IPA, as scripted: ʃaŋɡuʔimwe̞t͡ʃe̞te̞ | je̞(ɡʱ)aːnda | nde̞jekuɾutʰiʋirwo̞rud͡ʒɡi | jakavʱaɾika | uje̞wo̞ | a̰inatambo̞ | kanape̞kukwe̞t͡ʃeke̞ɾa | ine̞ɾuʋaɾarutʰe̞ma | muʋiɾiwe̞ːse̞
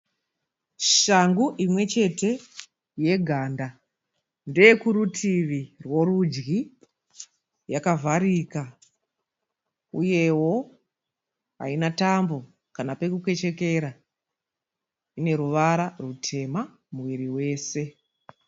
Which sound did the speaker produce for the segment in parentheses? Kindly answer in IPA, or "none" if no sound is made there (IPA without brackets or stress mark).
ɡʱ